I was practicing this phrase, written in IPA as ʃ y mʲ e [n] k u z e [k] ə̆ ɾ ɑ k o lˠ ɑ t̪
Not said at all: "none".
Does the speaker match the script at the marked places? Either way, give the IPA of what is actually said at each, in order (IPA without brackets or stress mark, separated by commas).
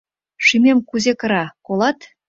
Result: m, k